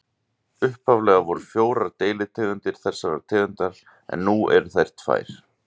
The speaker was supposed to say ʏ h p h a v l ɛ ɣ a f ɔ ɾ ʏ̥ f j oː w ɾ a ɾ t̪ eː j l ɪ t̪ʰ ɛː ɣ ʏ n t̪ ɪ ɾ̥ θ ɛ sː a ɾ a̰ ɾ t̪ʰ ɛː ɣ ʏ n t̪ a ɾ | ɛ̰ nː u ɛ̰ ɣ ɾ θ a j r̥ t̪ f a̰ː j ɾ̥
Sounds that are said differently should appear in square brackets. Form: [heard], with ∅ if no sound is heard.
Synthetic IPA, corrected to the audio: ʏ h p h a v l ɛ ɣ a [v] ɔ ɾ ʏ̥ f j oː w ɾ a ɾ t̪ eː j l ɪ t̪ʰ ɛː ɣ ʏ n t̪ ɪ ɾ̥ θ ɛ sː a ɾ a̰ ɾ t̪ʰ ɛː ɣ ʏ n t̪ a ɾ | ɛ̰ nː u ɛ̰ [∅] ɾ θ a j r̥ t̪ f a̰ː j ɾ̥